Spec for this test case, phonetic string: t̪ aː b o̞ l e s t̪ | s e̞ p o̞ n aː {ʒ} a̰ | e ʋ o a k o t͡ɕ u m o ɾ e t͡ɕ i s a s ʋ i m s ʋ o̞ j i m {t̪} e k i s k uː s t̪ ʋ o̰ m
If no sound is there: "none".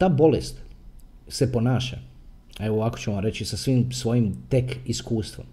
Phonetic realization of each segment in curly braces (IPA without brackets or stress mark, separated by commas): ʃ, t̪